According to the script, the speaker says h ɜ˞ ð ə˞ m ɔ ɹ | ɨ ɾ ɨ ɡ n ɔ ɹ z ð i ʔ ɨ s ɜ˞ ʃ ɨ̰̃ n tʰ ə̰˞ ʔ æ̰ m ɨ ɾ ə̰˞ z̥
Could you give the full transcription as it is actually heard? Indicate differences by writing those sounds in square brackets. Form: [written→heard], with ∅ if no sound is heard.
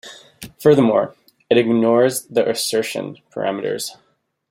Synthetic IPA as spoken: [h→f] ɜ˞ ð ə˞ m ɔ ɹ | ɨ ɾ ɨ ɡ n ɔ ɹ z ð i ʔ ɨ s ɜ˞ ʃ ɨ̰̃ n [tʰ→pʰ] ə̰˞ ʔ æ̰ m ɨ ɾ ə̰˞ z̥